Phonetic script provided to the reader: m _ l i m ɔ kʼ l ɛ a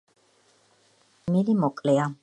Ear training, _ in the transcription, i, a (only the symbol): i